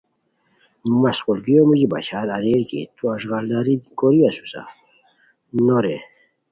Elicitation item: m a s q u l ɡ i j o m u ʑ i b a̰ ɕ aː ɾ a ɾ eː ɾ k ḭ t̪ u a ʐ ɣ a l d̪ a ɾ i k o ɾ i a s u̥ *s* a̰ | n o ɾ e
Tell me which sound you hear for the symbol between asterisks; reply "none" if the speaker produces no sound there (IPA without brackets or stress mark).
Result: s